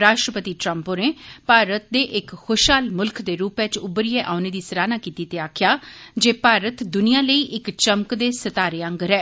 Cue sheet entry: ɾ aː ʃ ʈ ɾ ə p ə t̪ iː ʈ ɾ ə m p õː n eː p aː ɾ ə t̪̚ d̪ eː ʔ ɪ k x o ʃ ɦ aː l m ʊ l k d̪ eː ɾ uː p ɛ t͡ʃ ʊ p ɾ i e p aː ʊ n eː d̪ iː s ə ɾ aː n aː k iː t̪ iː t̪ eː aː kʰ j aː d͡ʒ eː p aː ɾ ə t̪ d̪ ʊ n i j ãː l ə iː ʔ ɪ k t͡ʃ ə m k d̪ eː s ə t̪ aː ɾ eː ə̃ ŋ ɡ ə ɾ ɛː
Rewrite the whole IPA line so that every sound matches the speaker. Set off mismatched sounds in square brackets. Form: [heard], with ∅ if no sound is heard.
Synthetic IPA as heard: ɾ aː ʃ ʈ ɾ ə p ə t̪ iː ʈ ɾ ə m p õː n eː p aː ɾ ə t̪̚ d̪ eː ʔ ɪ k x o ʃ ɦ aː l m ʊ l k d̪ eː ɾ uː p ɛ t͡ʃ ʊ [b] ɾ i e [ʔ] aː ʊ n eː d̪ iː s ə ɾ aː n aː k iː t̪ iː t̪ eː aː kʰ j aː d͡ʒ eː p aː ɾ ə t̪ d̪ ʊ n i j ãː l ə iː ʔ ɪ k t͡ʃ ə m k d̪ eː s ə t̪ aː ɾ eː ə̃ ŋ ɡ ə ɾ ɛː